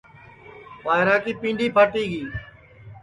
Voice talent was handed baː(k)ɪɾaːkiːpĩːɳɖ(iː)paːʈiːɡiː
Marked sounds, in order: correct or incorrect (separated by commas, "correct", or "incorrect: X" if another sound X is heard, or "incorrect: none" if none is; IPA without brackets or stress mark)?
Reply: incorrect: none, correct